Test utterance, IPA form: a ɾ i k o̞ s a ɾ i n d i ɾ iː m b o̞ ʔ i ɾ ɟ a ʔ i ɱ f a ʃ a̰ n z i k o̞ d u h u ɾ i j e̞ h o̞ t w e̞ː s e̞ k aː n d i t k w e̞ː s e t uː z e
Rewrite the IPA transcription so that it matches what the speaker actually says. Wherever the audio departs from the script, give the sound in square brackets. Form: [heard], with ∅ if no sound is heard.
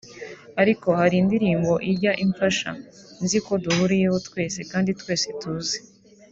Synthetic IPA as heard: a ɾ i k o̞ [h] a ɾ i n d i ɾ iː m b o̞ ʔ i ɾ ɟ a ʔ i ɱ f a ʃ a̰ n z i k o̞ d u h u ɾ i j e̞ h o̞ t w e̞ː s e̞ k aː n d i t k w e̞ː s e t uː z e